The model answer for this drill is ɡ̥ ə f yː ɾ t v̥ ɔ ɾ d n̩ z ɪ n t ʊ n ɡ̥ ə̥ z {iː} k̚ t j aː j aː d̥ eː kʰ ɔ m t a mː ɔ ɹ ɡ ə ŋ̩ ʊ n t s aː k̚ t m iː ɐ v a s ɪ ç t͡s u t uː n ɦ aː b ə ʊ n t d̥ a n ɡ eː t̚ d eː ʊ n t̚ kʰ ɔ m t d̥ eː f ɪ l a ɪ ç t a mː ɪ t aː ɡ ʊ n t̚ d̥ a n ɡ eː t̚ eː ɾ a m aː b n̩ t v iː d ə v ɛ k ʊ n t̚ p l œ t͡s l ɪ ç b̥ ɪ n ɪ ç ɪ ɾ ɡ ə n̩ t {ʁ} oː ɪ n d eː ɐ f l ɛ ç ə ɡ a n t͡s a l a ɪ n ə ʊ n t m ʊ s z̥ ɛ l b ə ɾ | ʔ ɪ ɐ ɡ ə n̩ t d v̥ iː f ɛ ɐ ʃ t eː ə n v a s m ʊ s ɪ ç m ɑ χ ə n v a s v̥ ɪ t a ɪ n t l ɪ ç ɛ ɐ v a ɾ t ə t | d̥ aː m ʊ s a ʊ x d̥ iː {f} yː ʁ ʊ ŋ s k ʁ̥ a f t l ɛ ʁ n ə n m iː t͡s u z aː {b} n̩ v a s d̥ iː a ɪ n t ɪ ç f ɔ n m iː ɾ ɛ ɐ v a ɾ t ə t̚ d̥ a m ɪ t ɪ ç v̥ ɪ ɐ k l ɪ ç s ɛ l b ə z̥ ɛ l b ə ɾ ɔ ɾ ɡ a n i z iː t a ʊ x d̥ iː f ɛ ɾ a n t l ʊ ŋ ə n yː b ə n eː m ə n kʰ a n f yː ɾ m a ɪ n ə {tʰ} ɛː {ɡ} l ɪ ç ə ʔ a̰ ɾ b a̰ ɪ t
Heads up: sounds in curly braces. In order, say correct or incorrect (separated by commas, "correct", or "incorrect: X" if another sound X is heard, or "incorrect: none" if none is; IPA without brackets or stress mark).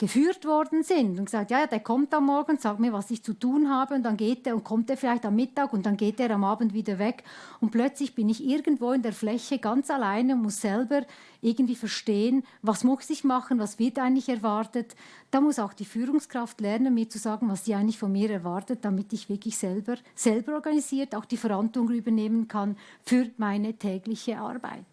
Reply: incorrect: aː, incorrect: v, correct, incorrect: ɡ, correct, correct